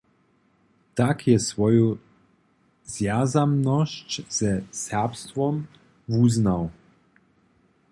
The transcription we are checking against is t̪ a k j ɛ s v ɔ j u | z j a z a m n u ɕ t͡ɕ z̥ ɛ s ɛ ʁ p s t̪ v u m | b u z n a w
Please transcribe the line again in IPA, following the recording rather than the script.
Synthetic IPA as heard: t̪ a k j ɛ s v ɔ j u | z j a z a m n ɔ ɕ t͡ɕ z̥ ɛ s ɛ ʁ p s t̪ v ɔ m | v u z n a w